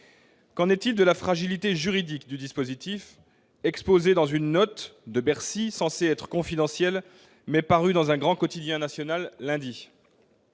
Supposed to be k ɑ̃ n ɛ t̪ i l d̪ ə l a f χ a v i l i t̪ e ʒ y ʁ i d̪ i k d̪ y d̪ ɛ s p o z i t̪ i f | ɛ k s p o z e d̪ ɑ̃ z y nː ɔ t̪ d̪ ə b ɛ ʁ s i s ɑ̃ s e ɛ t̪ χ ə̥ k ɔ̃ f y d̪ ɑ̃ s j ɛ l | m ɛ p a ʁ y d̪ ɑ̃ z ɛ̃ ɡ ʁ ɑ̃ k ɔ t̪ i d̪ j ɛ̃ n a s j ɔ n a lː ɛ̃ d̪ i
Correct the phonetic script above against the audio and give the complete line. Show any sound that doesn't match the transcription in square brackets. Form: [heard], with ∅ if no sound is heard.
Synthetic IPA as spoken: k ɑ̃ n ɛ t̪ i l d̪ ə l a f χ a [ʒ] i l i t̪ e ʒ y ʁ i d̪ i k d̪ y d̪ [i] s p o z i t̪ i f | ɛ k s p o z e d̪ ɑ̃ z y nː ɔ t̪ d̪ ə b ɛ ʁ s i s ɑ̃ s e ɛ t̪ χ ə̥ k ɔ̃ f [i] d̪ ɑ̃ s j ɛ l | m ɛ p a ʁ y d̪ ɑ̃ z ɛ̃ ɡ ʁ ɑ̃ k ɔ t̪ i d̪ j ɛ̃ n a s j ɔ n a lː ɛ̃ d̪ i